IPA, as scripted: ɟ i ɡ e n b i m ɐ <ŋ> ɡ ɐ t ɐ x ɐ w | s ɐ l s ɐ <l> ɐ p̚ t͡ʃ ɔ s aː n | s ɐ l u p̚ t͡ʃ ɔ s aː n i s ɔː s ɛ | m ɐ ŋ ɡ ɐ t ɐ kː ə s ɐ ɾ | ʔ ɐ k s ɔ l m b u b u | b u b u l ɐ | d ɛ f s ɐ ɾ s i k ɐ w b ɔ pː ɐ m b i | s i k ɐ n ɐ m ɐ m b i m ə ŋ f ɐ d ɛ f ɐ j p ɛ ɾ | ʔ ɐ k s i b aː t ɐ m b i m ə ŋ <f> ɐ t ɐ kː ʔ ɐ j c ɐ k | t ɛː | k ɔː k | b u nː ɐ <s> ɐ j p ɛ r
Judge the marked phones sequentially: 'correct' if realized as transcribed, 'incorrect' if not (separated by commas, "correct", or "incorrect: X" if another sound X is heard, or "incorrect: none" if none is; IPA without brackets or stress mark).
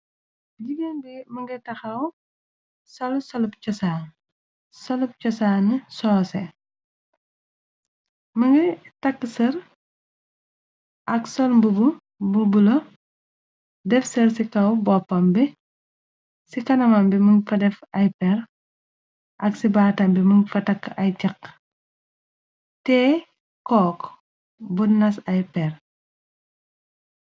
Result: correct, correct, correct, correct